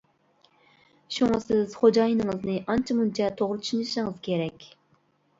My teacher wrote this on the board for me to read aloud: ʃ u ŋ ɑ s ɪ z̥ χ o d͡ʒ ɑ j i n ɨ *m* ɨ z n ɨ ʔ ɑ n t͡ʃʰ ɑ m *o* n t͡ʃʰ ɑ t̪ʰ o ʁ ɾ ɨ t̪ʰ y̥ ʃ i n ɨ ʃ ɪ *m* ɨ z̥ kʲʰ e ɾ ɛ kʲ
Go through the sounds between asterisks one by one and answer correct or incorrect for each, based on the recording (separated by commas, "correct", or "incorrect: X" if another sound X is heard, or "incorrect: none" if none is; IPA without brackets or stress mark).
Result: incorrect: ŋ, incorrect: u, incorrect: ŋ